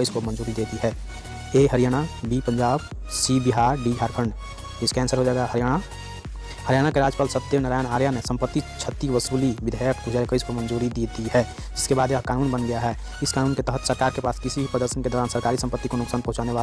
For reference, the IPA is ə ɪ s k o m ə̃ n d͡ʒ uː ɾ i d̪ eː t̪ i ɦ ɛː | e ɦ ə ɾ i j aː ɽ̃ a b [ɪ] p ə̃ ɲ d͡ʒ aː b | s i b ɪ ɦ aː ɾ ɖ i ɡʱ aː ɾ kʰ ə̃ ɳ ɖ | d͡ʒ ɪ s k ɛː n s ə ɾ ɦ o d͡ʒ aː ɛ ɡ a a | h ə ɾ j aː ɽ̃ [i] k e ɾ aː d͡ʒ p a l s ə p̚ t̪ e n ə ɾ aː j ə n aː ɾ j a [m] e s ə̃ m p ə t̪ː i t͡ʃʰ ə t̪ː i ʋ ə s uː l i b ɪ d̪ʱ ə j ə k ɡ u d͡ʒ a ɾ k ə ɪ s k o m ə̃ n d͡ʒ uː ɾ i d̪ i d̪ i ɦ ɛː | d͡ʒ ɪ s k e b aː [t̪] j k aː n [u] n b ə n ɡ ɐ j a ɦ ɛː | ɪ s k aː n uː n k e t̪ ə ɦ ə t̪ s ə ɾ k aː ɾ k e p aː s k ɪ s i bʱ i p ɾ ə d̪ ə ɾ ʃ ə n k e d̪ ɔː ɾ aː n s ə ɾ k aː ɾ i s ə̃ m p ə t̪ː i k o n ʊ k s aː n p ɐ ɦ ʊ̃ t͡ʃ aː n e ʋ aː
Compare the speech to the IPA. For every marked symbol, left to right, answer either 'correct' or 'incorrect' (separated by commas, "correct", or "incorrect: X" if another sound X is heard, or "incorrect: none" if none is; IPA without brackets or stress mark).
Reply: incorrect: i, incorrect: a, incorrect: n, incorrect: d̪, incorrect: uː